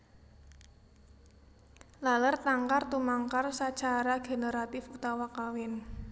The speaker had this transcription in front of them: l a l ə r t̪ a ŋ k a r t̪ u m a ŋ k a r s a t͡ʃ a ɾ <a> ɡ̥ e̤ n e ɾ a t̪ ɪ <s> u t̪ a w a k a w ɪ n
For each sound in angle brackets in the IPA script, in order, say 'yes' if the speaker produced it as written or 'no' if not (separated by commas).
yes, no